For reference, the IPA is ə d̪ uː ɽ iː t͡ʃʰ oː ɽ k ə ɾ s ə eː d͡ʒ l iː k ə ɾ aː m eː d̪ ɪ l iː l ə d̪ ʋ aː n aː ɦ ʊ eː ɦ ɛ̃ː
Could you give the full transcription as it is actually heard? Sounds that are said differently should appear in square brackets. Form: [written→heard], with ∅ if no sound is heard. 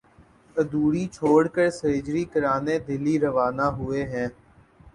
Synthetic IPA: ə d̪ uː ɽ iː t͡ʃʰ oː ɽ k ə ɾ s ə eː d͡ʒ [l→ɾ] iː k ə ɾ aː [m→n] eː d̪ ɪ l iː [l→ɾ] ə [d̪→∅] ʋ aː n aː ɦ ʊ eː ɦ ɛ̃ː